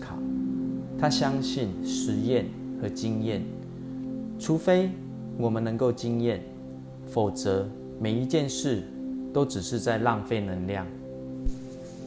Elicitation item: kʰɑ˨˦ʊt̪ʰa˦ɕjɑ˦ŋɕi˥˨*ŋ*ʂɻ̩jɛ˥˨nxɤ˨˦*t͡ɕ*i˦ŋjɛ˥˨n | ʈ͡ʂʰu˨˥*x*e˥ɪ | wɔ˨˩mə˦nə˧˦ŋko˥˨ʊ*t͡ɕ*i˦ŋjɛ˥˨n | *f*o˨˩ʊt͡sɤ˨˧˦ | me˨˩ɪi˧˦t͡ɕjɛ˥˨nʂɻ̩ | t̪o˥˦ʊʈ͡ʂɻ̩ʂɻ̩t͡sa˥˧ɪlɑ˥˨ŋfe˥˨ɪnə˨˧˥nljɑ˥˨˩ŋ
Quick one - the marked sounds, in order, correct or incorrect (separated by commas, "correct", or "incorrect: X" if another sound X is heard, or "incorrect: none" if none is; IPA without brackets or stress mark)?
incorrect: n, correct, incorrect: f, correct, correct